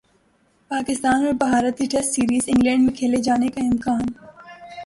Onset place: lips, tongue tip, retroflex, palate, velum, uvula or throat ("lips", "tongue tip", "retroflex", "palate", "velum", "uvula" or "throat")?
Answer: lips